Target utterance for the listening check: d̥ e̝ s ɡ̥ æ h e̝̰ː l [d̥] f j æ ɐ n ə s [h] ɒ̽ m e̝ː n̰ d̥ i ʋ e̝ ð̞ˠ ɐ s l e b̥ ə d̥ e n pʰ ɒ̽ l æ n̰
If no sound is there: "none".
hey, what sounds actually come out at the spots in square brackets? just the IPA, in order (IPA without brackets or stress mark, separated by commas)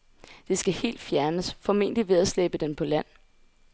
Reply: d̥, f